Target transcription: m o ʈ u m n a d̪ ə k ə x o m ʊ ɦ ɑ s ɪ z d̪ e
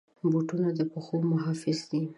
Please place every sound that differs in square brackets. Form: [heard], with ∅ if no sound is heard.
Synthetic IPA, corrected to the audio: [b] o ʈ u [∅] n a d̪ ə [p] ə x o m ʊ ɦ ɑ [f] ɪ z d̪ [i]